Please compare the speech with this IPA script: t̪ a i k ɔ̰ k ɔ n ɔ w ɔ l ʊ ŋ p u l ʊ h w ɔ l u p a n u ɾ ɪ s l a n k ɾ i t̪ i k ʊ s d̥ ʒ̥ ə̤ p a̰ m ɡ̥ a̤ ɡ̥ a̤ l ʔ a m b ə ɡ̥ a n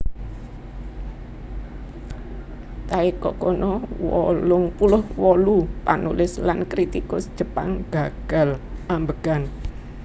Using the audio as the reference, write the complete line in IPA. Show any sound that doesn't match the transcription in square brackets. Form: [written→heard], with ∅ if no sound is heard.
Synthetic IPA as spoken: t̪ a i k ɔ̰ k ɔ n ɔ w ɔ l ʊ ŋ p u l ʊ h w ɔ l u p a n u [ɾ→l] ɪ s l a n k ɾ i t̪ i k ʊ s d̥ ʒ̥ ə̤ p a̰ [m→ŋ] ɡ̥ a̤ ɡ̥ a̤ l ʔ a m b ə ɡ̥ a n